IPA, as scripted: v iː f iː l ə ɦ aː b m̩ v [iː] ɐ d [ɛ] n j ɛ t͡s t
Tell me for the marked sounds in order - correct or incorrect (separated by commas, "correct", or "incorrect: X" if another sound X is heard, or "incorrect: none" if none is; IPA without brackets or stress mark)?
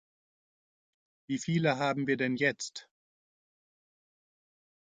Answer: correct, correct